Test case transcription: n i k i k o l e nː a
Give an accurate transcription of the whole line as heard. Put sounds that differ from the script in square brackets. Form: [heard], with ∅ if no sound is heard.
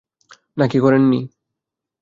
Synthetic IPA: n [a] k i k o [ɾ] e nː [i]